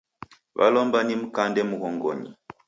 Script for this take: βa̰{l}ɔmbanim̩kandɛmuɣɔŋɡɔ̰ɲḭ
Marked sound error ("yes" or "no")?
no